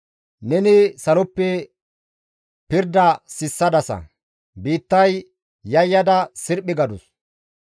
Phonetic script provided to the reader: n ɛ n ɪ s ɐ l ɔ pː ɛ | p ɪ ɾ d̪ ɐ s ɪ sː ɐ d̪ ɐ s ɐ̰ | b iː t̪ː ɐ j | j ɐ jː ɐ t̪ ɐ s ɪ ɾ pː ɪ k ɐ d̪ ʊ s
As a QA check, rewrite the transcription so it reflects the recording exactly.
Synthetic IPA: n ɛ n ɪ s ɐ l ɔ pː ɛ | p ɪ ɾ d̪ ɐ s ɪ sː ɐ d̪ ɐ s ɐ̰ | b iː t̪ː ɐ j | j ɐ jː ɐ d̪ ɐ s ɪ ɾ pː ɪ ɡ ɐ d̪ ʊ s